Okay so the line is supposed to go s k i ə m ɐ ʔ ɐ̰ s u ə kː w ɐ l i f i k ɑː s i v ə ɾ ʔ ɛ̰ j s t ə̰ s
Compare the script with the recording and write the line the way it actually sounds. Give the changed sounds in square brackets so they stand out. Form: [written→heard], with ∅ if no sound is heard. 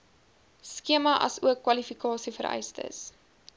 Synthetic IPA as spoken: s k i ə m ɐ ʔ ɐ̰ s u ə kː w ɐ l i f i k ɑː s i [v→f] ə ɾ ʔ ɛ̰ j s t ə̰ s